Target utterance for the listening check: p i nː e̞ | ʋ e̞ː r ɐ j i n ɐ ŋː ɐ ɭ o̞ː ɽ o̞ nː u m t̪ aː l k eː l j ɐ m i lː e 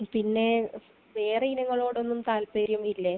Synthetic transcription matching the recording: p i nː e̞ | ʋ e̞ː r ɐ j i n ɐ ŋː ɐ ɭ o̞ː ɽ o̞ nː u m t̪ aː l p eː ɾ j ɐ m i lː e